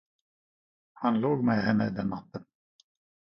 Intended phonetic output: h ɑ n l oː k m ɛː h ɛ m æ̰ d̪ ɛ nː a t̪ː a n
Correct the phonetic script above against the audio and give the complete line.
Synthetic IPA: h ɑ n l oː ɡ m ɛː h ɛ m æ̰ d̪ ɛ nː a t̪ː ə n